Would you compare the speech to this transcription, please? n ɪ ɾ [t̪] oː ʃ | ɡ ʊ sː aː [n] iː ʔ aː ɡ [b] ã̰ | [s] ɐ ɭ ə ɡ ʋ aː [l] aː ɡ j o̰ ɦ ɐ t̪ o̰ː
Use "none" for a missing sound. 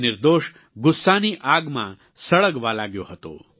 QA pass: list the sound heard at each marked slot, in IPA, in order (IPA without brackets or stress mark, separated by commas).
d̪, n, m, s, l